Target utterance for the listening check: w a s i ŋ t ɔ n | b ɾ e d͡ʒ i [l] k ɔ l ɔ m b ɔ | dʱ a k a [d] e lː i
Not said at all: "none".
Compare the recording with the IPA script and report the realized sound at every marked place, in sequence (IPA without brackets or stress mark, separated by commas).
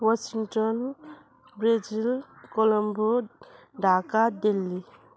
l, d